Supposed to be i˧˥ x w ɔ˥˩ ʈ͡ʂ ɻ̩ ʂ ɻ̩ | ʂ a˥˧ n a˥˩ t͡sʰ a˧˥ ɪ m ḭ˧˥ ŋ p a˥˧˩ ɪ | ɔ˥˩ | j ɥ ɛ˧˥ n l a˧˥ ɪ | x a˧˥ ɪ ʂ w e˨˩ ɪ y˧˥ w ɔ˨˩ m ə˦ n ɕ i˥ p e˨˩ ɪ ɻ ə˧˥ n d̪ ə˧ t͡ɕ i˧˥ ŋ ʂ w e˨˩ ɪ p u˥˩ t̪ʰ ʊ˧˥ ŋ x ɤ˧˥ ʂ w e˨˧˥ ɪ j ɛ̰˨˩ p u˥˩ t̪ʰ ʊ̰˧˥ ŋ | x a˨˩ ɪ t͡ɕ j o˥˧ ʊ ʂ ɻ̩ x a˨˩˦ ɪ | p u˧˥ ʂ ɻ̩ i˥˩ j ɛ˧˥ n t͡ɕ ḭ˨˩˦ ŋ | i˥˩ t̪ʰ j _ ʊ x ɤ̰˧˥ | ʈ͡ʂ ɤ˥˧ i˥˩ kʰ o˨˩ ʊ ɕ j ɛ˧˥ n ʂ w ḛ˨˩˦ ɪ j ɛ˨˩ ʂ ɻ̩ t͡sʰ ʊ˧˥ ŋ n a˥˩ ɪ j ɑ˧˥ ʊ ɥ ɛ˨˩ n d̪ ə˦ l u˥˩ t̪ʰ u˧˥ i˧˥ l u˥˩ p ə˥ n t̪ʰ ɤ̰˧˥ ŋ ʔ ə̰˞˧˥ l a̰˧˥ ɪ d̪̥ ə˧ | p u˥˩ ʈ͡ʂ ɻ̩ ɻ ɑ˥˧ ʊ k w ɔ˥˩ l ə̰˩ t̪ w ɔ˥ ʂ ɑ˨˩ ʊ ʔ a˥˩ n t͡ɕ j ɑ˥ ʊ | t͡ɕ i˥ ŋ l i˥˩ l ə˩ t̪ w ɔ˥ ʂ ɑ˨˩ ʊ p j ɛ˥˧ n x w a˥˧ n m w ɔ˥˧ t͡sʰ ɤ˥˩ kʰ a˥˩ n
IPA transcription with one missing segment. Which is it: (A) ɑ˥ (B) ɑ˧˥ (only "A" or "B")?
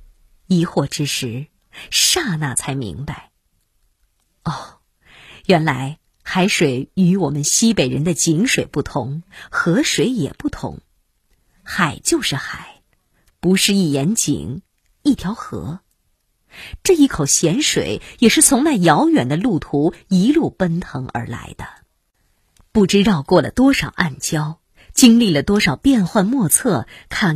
B